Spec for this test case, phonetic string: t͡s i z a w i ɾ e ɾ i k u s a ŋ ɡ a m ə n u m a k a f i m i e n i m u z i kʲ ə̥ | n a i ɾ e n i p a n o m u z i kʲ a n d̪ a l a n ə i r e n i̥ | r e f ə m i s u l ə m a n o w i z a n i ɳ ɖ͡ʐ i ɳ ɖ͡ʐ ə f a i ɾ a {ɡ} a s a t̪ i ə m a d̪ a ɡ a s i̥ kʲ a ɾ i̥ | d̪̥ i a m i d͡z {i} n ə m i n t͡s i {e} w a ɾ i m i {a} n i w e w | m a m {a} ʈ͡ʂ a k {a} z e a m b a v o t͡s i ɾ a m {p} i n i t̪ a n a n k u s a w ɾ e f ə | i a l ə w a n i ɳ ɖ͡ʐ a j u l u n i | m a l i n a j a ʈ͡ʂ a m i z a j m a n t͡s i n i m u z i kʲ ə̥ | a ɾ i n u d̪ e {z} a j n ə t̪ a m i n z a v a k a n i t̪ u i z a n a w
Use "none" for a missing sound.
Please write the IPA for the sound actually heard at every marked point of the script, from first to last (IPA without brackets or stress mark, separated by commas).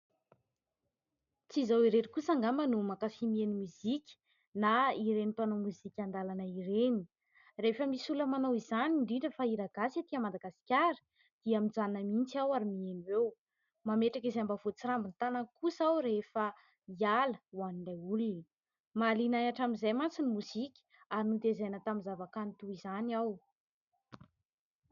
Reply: ɡ, a, a, e, e, i, b, z